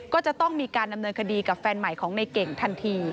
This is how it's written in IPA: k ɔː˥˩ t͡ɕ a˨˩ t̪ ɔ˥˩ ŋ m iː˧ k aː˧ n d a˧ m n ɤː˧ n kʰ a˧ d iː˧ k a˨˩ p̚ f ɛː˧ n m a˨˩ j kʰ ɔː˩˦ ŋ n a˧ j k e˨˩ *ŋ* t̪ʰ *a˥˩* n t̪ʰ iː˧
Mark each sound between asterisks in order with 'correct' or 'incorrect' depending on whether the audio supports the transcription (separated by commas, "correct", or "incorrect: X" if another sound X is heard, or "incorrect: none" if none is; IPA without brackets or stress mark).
correct, incorrect: a˧